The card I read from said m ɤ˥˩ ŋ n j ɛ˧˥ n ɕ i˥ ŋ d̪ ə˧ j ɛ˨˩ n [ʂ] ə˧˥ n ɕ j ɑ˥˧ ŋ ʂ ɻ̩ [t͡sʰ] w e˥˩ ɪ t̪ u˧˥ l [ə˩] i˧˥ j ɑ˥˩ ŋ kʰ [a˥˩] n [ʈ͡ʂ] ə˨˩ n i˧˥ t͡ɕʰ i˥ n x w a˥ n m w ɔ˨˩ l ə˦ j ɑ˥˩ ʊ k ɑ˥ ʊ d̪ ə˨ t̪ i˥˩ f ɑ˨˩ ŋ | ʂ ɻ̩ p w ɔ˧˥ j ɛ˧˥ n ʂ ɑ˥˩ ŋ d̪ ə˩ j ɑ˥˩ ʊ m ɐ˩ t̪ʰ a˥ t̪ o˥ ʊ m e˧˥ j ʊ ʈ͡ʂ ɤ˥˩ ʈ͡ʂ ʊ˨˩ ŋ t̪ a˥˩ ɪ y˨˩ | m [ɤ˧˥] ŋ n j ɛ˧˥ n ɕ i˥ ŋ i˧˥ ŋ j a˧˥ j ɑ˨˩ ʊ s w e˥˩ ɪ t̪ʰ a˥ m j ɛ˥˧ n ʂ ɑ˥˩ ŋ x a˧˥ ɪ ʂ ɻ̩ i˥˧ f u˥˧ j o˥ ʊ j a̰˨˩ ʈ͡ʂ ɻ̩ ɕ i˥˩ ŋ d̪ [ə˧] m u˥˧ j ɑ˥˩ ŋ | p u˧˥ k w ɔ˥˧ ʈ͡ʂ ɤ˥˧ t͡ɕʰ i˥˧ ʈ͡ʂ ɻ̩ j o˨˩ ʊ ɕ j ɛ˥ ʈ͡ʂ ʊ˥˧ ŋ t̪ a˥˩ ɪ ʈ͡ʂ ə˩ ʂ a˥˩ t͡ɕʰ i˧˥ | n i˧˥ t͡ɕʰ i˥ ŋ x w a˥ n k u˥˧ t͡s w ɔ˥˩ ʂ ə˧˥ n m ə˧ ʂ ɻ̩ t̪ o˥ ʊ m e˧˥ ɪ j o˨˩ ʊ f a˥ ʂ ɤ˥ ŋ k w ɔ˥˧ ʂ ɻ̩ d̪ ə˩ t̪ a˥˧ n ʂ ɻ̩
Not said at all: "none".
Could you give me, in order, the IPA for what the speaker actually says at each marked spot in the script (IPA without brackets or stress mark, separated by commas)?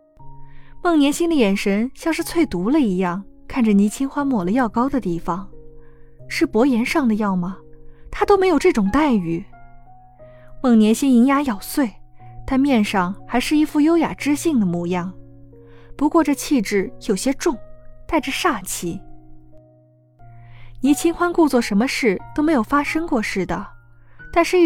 ʂ, t͡sʰ, ə˧, a˥˩, ʈ͡ʂ, ɤ˥˩, ə˩